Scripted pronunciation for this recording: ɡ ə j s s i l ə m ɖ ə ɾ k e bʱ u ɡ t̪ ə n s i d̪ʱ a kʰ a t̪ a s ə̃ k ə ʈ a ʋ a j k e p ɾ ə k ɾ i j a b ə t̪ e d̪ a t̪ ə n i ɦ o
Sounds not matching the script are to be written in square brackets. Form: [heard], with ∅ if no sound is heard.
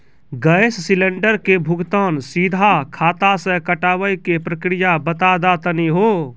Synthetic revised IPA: ɡ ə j s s i l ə [ɳ] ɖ ə ɾ k e bʱ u ɡ t̪ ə n s i d̪ʱ a kʰ a t̪ a s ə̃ k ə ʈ a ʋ [ə] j k e p ɾ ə k ɾ i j a b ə t̪ [a] d̪ a t̪ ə n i ɦ o